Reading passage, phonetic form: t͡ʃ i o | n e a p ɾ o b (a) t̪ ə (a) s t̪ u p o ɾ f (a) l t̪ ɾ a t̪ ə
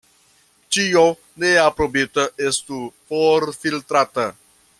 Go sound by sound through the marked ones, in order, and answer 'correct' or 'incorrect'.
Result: incorrect: i, incorrect: e, incorrect: i

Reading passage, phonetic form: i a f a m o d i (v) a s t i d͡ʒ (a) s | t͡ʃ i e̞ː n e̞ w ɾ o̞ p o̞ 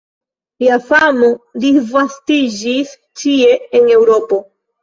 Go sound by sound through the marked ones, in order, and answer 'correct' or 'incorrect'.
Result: correct, incorrect: i

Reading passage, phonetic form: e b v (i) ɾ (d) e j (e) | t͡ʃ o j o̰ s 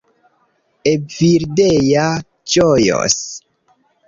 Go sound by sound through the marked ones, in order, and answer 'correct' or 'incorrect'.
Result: correct, correct, incorrect: a

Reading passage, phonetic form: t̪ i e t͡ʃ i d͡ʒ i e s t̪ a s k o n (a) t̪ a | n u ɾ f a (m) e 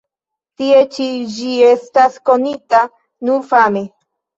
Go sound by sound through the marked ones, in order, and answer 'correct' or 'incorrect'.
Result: incorrect: i, correct

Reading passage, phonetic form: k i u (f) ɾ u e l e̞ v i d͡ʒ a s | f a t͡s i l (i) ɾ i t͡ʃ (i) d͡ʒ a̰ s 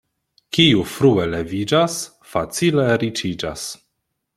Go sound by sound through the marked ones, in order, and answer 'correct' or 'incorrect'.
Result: correct, incorrect: e, correct

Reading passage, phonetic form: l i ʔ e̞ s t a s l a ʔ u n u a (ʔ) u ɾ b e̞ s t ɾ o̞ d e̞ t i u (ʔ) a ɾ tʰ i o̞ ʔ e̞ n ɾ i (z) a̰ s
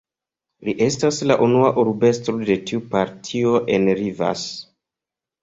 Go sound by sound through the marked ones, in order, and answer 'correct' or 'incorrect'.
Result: correct, incorrect: p, incorrect: v

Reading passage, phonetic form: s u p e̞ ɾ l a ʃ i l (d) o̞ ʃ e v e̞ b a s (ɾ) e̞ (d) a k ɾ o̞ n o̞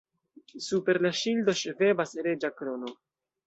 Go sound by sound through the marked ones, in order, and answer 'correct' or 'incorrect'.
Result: correct, correct, incorrect: d͡ʒ

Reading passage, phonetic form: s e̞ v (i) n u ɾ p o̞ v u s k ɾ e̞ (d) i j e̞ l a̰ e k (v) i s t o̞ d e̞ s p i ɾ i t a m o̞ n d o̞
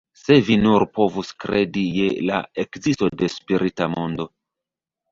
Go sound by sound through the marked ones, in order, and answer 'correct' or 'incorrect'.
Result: correct, correct, incorrect: z

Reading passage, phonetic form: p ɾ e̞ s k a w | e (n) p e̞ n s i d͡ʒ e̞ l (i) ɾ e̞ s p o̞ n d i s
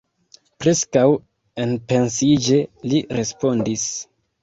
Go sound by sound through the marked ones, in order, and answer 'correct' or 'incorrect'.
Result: correct, correct

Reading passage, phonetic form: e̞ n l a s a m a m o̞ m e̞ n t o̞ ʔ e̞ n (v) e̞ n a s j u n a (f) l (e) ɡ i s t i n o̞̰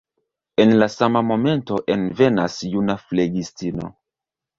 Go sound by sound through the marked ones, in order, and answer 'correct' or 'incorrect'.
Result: correct, correct, correct

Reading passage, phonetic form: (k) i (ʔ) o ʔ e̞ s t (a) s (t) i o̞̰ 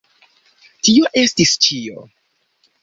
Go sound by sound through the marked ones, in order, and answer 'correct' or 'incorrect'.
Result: incorrect: t, incorrect: none, incorrect: i, incorrect: t͡ʃ

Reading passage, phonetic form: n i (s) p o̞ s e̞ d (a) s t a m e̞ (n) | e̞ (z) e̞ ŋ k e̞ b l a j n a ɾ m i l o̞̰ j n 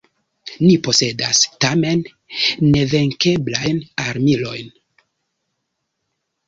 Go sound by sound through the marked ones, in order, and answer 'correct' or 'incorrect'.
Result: incorrect: none, correct, incorrect: nː, incorrect: v

